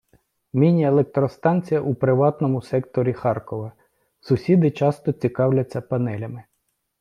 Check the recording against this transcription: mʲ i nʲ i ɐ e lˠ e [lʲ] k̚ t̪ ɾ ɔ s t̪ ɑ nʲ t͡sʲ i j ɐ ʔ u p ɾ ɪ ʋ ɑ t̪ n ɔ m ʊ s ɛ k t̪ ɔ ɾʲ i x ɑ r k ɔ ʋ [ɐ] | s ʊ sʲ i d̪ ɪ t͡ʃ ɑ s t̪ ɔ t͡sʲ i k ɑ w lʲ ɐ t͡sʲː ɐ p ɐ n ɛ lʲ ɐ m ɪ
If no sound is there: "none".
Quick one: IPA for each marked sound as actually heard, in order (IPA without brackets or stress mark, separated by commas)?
none, ɐ